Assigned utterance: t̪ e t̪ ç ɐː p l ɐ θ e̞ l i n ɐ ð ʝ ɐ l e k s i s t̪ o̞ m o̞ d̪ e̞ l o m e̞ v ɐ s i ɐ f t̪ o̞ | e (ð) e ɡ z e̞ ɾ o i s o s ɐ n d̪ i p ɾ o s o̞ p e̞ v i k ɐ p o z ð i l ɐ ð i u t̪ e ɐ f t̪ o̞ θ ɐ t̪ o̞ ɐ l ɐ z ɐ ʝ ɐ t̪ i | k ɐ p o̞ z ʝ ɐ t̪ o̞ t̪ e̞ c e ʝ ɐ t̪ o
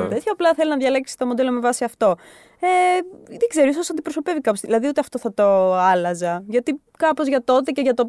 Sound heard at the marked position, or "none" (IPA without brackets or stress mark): ð